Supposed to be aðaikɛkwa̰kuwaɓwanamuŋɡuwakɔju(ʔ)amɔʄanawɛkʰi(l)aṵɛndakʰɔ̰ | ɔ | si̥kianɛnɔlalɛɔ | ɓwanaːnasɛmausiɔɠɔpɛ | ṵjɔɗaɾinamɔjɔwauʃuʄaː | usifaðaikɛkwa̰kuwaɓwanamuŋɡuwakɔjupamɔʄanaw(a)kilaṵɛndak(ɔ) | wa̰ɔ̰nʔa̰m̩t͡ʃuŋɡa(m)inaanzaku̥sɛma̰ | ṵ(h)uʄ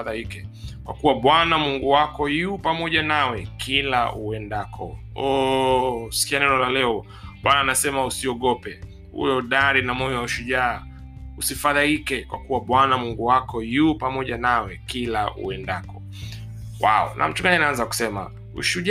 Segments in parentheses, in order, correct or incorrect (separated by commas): incorrect, correct, incorrect, correct, incorrect, incorrect